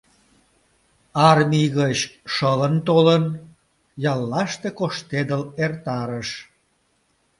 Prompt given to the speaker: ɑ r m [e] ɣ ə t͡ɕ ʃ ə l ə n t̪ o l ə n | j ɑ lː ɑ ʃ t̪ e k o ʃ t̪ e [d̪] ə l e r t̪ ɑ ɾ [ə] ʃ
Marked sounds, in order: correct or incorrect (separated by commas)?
incorrect, correct, correct